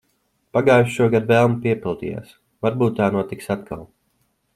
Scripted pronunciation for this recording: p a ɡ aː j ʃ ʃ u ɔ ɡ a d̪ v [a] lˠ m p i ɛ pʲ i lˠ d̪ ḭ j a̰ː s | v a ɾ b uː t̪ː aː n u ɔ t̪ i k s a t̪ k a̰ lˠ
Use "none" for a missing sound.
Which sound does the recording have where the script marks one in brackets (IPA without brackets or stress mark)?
ɛ